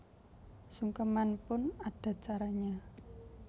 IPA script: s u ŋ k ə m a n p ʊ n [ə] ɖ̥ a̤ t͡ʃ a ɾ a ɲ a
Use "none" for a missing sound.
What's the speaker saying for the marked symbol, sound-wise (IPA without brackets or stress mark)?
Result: a